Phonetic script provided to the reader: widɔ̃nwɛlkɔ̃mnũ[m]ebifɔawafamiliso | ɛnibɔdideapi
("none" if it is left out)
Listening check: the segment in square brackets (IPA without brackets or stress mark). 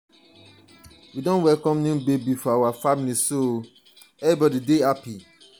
b